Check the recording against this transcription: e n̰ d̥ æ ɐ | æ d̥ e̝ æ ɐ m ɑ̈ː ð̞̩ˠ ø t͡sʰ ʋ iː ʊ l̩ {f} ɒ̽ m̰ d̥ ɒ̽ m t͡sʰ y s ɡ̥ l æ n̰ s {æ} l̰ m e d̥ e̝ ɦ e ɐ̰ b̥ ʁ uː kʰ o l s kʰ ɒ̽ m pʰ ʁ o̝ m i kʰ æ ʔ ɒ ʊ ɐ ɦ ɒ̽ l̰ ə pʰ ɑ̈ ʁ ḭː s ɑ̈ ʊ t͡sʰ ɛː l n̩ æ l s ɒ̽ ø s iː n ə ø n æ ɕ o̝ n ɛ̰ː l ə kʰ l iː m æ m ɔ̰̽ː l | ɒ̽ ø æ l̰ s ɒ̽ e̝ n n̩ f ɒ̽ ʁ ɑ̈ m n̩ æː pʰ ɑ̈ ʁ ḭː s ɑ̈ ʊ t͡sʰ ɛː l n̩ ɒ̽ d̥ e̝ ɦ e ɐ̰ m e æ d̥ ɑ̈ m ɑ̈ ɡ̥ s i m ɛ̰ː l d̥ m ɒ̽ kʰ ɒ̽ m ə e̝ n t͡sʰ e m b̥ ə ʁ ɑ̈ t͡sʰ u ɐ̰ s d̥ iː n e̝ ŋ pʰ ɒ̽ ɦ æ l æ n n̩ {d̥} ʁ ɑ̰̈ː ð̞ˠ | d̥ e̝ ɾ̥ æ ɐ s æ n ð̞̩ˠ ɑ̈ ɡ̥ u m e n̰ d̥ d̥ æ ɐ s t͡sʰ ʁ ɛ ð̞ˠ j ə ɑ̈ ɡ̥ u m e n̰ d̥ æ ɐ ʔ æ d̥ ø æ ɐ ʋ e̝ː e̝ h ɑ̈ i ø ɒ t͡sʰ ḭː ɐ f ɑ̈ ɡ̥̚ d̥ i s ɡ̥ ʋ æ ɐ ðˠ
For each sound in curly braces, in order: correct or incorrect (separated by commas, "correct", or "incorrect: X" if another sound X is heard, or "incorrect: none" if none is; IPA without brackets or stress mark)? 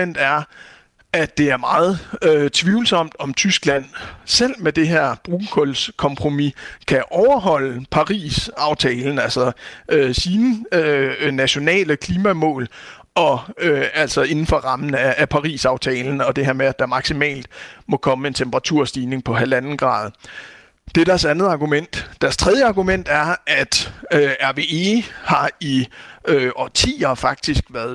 incorrect: s, incorrect: e, incorrect: ɡ̥